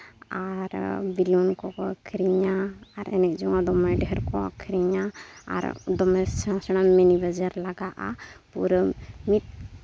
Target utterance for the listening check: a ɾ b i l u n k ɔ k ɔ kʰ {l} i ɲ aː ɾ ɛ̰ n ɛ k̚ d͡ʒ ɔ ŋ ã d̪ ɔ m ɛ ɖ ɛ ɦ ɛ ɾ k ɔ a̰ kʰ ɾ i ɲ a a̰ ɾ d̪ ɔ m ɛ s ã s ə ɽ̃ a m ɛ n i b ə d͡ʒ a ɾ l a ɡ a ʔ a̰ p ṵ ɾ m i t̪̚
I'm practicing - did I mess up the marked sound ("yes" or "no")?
yes